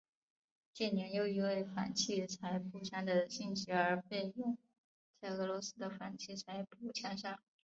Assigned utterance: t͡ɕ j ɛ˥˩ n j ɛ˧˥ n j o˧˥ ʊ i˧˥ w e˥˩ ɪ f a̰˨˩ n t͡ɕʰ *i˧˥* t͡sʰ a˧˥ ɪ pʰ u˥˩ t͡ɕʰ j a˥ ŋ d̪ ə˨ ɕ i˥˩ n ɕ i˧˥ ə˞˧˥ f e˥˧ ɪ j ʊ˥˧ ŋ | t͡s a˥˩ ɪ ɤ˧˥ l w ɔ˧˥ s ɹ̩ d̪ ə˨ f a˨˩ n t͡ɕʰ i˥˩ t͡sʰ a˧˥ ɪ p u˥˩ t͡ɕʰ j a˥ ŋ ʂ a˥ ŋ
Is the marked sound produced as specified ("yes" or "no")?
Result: no